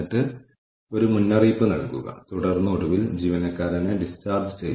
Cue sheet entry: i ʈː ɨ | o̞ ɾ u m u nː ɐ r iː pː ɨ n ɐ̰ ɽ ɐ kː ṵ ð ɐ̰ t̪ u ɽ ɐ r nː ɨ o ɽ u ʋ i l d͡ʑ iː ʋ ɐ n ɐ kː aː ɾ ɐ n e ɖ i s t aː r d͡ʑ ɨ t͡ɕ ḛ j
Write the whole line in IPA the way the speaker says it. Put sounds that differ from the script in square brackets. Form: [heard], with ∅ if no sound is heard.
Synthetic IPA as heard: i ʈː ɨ | o̞ ɾ u m u nː ɐ r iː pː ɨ n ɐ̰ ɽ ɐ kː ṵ [ɣ] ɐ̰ t̪ u ɽ ɐ r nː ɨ o ɽ u ʋ i l d͡ʑ iː ʋ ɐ n ɐ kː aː ɾ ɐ n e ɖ i s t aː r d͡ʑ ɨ t͡ɕ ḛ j